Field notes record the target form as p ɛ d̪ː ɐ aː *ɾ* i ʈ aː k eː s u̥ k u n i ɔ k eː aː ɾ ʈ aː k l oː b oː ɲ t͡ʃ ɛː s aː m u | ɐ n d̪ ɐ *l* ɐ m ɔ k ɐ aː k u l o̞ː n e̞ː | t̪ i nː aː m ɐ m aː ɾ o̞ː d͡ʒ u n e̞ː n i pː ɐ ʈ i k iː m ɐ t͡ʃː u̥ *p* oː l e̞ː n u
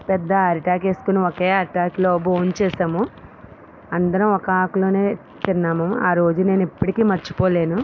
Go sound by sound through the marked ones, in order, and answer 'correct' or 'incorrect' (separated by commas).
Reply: correct, incorrect, correct